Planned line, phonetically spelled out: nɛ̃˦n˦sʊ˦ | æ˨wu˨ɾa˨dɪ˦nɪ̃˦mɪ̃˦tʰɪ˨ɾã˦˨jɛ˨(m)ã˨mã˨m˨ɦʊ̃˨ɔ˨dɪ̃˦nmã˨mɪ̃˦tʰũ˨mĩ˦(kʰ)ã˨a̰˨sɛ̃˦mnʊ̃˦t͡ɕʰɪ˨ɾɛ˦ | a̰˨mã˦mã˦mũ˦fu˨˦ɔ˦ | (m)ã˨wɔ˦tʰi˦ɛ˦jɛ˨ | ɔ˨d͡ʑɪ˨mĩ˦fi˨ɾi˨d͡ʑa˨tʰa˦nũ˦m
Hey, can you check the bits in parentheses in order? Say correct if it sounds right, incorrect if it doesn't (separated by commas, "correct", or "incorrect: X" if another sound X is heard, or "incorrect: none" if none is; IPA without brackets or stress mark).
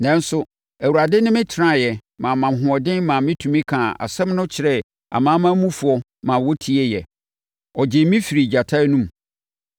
correct, correct, correct